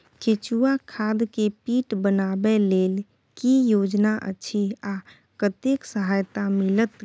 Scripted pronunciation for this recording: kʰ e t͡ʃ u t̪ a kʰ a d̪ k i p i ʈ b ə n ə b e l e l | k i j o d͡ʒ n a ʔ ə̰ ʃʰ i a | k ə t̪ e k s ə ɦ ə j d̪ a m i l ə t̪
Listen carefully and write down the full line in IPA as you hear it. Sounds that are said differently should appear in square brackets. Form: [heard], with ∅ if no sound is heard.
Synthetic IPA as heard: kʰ e t͡ʃ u [∅] a kʰ a d̪ k [e] p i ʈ b ə n [a] b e l e l | k i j o d͡ʒ n a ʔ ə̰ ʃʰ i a | k ə t̪ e k s ə ɦ [a] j [t̪] a m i l ə t̪